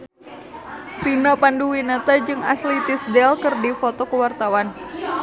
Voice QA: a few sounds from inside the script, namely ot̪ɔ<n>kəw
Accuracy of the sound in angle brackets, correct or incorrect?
incorrect